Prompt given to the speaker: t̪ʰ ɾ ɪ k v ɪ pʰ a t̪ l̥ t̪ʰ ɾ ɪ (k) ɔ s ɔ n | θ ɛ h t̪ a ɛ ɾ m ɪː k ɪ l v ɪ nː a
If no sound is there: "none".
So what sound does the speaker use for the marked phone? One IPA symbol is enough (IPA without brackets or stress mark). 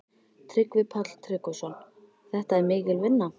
k